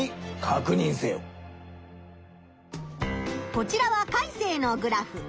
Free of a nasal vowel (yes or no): no